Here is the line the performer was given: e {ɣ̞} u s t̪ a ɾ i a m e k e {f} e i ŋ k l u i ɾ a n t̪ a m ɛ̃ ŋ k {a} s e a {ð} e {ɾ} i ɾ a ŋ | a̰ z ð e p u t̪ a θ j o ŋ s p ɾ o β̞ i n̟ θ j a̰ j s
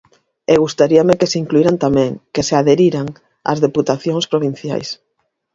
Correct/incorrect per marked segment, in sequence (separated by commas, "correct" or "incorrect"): correct, incorrect, incorrect, correct, correct